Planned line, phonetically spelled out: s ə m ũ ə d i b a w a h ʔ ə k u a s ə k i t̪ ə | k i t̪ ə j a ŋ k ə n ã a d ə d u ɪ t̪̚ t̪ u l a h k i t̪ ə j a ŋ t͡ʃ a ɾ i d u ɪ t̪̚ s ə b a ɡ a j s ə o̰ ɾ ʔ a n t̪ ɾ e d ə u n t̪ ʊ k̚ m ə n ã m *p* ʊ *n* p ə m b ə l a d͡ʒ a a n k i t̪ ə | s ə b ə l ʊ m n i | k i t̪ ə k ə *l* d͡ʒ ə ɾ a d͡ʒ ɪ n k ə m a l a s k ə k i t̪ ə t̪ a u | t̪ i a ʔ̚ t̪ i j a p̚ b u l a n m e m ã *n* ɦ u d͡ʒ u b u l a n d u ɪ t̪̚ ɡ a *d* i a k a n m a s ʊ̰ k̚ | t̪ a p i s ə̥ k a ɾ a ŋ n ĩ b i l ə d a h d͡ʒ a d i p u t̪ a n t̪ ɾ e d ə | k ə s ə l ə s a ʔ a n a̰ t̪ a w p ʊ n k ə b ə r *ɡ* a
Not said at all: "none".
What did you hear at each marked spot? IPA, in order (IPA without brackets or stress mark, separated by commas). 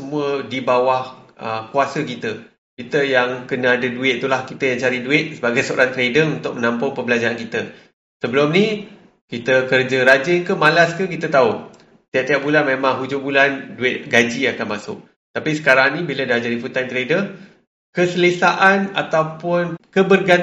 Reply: p, ŋ, r, ŋ, d͡ʒ, ɡ